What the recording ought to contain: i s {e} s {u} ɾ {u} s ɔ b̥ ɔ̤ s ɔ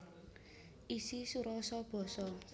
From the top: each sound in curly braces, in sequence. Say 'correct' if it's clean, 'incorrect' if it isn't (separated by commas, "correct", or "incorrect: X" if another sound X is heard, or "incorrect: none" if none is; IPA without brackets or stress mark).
incorrect: i, correct, incorrect: ɔ